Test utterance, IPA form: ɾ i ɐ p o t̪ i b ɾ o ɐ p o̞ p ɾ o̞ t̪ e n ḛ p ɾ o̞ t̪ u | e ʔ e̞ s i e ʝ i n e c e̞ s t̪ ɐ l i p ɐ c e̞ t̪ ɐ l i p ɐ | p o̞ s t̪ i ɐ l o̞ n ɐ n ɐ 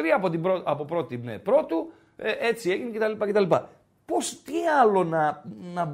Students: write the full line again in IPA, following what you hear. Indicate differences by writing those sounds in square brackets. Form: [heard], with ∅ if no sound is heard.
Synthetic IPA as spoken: ɾ i ɐ p o t̪ i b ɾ o ɐ p o̞ p ɾ o̞ t̪ [i] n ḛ p ɾ o̞ t̪ u | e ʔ e̞ [t͡s] i e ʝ i n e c e̞ [∅] t̪ ɐ l i p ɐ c e̞ t̪ ɐ l i p ɐ | p o̞ s t̪ i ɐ l o̞ n ɐ n ɐ